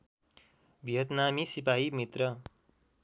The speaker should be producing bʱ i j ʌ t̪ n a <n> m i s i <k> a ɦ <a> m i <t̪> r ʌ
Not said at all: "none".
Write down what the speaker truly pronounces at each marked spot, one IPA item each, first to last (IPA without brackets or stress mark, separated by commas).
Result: none, p, i, t̪